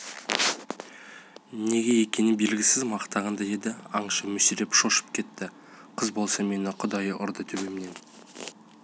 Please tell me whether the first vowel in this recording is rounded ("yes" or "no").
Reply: no